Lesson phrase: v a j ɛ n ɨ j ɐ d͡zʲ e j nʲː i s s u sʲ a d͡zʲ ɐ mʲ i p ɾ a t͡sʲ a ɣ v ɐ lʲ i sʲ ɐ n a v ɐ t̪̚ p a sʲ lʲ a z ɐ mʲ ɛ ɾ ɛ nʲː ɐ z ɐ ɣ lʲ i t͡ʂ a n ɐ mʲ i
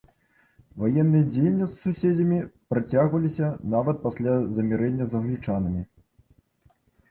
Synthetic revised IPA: v a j ɛ nː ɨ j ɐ d͡zʲ e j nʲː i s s u sʲ e d͡zʲ ɐ mʲ i p ɾ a t͡sʲ a ɣ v ɐ lʲ i sʲ ɐ n a v ɐ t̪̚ p a sʲ lʲ a z ɐ mʲ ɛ ɾ ɛ nʲː ɐ z ɐ ɣ lʲ i t͡ʂ a n ɐ mʲ i